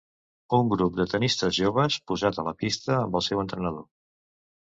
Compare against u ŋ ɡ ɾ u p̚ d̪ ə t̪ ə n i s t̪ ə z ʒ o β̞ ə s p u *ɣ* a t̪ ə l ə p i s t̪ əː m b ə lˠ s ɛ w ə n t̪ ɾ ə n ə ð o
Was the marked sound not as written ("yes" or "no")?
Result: yes